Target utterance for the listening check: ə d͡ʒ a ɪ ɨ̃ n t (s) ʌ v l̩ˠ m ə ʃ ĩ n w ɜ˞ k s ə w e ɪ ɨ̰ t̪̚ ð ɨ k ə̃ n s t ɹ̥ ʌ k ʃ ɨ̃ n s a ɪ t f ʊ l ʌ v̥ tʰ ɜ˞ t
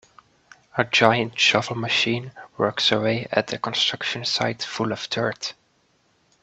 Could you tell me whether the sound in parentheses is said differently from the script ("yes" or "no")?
yes